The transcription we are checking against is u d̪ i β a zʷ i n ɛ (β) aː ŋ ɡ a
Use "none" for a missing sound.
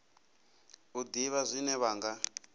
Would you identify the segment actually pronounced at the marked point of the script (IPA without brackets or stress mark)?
β